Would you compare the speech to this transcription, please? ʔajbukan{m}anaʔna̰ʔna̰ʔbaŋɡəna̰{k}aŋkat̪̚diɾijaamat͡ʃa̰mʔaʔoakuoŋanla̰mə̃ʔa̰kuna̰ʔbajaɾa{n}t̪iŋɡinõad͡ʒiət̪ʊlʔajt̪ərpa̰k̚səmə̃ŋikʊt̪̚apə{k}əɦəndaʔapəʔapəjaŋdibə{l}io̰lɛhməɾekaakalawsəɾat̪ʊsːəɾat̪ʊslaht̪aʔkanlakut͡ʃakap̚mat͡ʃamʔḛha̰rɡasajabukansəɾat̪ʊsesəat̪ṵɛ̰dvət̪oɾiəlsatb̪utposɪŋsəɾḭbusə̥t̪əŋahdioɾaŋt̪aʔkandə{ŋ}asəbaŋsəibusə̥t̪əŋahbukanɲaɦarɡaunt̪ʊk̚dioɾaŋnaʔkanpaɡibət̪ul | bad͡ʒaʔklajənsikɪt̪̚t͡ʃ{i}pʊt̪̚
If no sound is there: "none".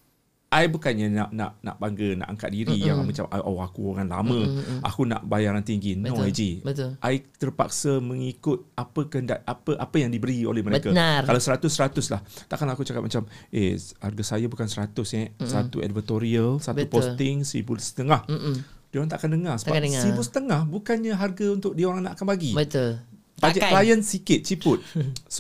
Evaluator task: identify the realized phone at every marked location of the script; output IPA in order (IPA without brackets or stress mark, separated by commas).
ɲ, ʔ, n, k, ɾ, ŋ, i